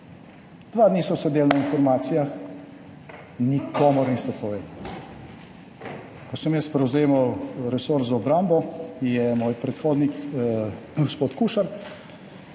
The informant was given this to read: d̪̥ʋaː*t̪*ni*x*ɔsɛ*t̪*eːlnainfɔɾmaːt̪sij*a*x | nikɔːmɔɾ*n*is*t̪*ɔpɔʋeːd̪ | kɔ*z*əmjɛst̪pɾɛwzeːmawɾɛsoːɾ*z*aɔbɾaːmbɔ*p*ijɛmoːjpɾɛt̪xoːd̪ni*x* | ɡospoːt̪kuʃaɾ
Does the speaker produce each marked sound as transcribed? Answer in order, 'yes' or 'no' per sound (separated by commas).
no, no, no, yes, yes, yes, no, yes, no, no